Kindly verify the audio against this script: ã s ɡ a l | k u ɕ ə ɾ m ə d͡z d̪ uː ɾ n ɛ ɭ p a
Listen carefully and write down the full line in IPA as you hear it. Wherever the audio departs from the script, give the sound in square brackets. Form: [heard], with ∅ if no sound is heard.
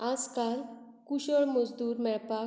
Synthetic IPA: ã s [k] a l | k u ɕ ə [ɭ] m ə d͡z d̪ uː ɾ [m] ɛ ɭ p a